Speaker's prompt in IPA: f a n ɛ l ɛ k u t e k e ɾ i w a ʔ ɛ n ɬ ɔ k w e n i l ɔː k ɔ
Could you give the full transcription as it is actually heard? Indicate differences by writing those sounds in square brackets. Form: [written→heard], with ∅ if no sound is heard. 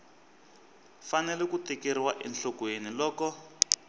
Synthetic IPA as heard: f a n ɛ l ɛ k u t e k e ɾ i w a ʔ ɛ n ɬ ɔ k w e n i l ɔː k ɔ